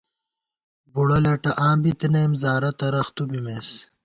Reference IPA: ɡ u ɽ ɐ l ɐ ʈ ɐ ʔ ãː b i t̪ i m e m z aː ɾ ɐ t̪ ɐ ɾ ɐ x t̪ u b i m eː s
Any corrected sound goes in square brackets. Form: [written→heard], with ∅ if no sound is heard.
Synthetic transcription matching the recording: [ɡ→b] u ɽ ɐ l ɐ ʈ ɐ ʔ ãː b i t̪ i [m→n] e m z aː ɾ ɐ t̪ ɐ ɾ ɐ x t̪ u b i m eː s